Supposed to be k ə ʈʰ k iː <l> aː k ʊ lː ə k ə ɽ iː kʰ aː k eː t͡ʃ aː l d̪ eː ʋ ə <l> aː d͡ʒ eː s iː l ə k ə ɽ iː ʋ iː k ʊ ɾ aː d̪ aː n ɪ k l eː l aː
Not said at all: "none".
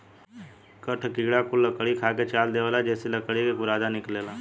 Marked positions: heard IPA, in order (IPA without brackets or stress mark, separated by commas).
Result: ɽ, l